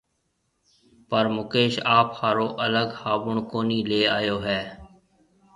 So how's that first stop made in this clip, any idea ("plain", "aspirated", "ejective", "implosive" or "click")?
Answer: plain